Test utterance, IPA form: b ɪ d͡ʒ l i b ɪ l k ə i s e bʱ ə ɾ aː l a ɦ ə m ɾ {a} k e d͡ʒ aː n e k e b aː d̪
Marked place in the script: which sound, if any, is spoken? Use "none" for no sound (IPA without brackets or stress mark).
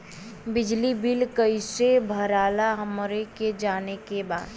e